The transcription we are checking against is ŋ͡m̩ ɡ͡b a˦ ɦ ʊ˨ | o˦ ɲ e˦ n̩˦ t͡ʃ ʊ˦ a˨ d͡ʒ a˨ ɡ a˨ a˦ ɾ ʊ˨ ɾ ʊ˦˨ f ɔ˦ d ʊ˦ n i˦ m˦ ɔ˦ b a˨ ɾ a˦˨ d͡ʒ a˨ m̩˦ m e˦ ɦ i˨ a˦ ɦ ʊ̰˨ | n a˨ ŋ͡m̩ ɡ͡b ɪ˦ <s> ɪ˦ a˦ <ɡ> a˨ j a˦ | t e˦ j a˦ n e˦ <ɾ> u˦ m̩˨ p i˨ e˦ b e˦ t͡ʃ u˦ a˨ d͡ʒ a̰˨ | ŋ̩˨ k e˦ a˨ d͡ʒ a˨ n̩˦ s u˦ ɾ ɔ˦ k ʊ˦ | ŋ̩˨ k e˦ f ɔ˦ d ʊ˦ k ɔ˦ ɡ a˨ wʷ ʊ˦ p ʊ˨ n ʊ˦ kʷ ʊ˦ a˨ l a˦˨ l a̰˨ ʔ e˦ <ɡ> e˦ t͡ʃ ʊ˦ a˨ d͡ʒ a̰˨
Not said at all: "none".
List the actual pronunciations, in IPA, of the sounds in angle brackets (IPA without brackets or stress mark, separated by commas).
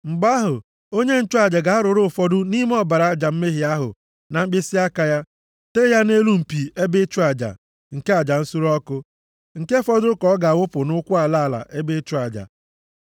s, k, l, b